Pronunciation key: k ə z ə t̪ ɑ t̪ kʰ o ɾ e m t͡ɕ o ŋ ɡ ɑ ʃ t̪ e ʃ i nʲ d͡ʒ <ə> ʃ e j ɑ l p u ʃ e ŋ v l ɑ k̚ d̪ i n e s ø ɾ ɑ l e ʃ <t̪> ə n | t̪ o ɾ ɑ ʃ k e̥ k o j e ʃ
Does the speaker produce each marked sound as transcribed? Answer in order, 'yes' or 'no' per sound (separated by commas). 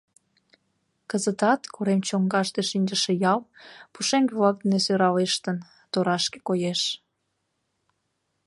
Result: yes, yes